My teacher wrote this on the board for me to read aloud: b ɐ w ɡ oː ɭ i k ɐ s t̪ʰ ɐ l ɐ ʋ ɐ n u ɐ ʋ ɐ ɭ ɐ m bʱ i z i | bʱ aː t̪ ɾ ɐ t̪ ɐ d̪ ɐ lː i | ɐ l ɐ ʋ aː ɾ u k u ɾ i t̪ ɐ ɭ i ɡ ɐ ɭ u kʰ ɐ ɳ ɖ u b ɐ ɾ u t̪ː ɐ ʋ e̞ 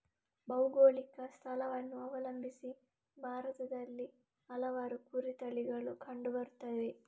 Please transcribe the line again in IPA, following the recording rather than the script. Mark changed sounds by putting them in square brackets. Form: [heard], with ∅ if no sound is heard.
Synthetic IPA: b ɐ w ɡ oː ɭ i k ɐ s t̪ʰ ɐ l ɐ ʋ ɐ [nː] u ɐ ʋ ɐ [l] ɐ m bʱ i [s] i | bʱ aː [∅] ɾ ɐ t̪ ɐ d̪ ɐ lː i | ɐ l ɐ ʋ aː ɾ u k u ɾ i t̪ ɐ ɭ i ɡ ɐ ɭ u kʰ ɐ ɳ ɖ u b ɐ ɾ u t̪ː ɐ ʋ e̞